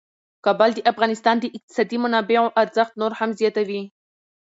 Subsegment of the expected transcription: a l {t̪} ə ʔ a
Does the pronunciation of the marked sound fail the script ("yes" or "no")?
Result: yes